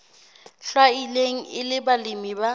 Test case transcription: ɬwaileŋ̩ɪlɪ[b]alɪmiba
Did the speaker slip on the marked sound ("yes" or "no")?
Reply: no